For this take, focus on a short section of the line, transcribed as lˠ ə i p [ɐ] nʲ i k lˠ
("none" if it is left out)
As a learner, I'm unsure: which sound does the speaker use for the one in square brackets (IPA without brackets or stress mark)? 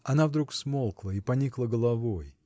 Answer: ɐ